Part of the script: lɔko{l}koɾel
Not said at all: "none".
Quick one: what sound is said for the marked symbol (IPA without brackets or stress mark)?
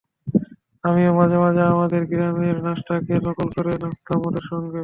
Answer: l